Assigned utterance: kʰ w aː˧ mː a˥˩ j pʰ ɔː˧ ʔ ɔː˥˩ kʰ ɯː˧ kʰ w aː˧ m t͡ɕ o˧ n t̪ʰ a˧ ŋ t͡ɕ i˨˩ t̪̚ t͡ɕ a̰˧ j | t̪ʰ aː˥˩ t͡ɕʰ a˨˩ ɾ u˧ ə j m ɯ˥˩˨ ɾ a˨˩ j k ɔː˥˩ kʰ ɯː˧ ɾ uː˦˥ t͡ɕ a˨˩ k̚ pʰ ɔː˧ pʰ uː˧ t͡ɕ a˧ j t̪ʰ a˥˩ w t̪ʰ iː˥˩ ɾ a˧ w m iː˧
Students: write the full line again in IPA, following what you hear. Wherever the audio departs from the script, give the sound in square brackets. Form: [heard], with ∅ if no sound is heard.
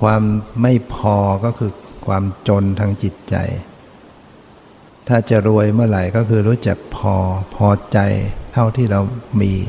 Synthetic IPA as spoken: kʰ w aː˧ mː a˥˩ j pʰ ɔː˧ [k] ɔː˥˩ kʰ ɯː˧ kʰ w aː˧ m t͡ɕ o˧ n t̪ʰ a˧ ŋ t͡ɕ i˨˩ t̪̚ t͡ɕ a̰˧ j | t̪ʰ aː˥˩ [t͡ɕ] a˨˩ ɾ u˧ ə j m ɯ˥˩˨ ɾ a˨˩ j k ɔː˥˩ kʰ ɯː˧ ɾ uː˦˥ t͡ɕ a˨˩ k̚ pʰ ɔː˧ pʰ [ɔː˧] t͡ɕ a˧ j t̪ʰ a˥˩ w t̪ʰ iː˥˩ ɾ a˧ w m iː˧